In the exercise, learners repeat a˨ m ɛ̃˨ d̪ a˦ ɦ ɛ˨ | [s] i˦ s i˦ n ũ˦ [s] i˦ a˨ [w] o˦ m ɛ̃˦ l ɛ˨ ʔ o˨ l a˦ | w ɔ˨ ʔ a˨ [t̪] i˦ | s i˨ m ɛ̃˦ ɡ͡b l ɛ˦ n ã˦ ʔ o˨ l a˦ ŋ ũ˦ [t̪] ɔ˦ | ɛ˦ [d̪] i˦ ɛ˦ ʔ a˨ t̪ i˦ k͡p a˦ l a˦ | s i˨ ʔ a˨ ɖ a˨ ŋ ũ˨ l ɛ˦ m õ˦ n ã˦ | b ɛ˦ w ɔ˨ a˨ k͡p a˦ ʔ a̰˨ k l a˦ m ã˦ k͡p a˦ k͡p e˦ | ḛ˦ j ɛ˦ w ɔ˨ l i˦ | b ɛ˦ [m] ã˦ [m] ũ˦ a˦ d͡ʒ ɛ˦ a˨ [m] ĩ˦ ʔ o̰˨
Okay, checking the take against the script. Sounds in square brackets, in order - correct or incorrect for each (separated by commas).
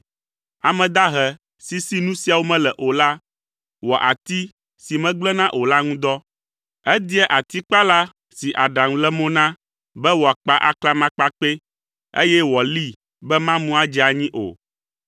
correct, correct, correct, correct, incorrect, correct, correct, correct, incorrect